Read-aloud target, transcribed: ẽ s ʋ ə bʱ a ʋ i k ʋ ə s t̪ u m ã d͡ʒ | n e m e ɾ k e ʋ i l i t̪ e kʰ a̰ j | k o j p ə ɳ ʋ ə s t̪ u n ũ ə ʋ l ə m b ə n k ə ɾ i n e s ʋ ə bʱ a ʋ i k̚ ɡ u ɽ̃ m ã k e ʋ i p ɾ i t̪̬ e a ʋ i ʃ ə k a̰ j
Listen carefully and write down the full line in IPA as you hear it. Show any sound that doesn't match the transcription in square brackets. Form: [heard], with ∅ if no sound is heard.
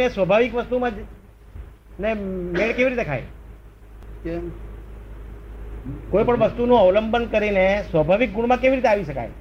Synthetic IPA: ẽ s ʋ ə bʱ a ʋ i k ʋ ə s t̪ u m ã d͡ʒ | n e m e [ɭ] k e ʋ i [ɾ] i t̪ e kʰ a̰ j | k o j p ə ɳ ʋ ə s t̪ u n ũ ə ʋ l ə m b ə n k ə ɾ i n e s ʋ ə bʱ a ʋ i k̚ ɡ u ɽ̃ m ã k e ʋ i [∅] ɾ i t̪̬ e a ʋ i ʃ ə k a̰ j